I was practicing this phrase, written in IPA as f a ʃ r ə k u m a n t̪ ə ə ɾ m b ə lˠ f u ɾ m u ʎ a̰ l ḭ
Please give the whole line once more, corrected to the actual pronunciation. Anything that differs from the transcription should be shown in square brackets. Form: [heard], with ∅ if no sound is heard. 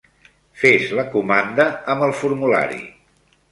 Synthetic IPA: f [e] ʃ [l] ə k u m a n [d̪] ə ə [∅] m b ə lˠ f u ɾ m u [l] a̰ [ɾ] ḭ